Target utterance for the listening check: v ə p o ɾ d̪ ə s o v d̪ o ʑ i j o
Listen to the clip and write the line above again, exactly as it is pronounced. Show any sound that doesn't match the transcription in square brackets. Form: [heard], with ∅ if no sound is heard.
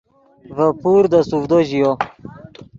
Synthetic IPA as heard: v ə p [u] ɾ d̪ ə s [u] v d̪ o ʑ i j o